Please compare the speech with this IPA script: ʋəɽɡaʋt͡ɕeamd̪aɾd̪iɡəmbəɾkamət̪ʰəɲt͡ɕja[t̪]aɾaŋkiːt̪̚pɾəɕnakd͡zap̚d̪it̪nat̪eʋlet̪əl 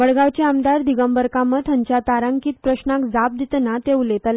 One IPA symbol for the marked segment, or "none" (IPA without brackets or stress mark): t̪